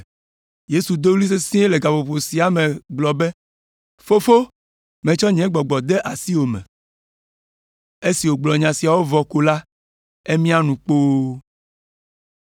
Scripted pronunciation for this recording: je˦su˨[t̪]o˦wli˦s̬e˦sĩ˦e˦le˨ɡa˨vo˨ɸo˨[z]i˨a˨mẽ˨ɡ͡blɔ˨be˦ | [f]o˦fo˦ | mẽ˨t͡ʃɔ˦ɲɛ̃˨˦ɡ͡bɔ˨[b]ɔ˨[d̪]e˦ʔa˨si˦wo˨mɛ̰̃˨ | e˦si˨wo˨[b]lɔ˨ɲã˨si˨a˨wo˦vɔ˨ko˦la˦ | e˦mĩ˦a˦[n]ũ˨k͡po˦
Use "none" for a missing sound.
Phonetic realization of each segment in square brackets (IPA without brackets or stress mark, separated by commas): d̪, s, f, ɡ͡b, d̪, ɡ͡b, n